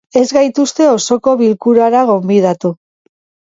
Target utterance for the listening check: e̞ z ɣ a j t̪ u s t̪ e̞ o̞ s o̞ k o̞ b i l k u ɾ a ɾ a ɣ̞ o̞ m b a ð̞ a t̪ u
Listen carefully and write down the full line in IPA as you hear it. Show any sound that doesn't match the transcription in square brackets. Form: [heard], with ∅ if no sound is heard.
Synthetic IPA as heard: e̞ z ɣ a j t̪ u s t̪ e̞ o̞ s o̞ k o̞ [β] i l k u ɾ a ɾ a ɣ̞ o̞ m b [i] ð̞ a t̪ u